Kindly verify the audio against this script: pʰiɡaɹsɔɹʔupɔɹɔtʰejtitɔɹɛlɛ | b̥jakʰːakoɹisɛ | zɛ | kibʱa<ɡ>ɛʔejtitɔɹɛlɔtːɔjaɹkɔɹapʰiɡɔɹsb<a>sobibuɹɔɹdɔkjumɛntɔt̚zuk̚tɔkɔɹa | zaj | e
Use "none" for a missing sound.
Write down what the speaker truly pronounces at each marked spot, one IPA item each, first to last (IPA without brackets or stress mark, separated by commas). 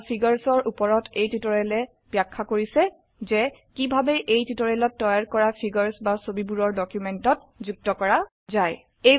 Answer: b, a